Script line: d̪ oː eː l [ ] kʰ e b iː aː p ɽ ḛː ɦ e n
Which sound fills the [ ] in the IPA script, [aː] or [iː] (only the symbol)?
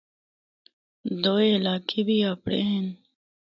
aː